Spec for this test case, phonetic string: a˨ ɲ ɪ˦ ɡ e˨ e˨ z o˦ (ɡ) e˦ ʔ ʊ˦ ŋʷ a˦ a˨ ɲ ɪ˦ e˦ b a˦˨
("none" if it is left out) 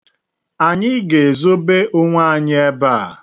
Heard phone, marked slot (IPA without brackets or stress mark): b